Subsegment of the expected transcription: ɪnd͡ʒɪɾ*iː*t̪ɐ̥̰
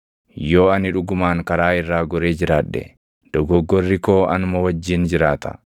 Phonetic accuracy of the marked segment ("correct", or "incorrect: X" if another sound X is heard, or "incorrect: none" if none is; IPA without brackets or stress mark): incorrect: aː